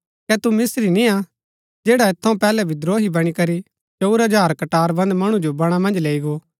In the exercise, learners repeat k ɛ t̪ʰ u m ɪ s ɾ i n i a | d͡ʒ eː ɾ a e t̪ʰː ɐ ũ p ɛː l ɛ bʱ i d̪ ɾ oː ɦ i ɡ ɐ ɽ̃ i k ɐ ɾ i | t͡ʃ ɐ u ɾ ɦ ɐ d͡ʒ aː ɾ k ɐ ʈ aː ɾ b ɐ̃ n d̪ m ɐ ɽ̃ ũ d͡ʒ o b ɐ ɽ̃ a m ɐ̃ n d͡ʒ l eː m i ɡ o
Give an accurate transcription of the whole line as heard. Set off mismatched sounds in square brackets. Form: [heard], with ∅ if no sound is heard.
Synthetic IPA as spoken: k ɛ [t̪] u m ɪ s ɾ i n i a | d͡ʒ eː [ɽ] a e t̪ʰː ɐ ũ p ɛː l ɛ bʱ i d̪ ɾ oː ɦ i [b] ɐ ɽ̃ i k ɐ ɾ i | t͡ʃ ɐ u ɾ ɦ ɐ d͡ʒ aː ɾ k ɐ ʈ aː ɾ b ɐ̃ n d̪ m ɐ ɽ̃ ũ d͡ʒ o b ɐ ɽ̃ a m ɐ̃ n d͡ʒ l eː [∅] i ɡ o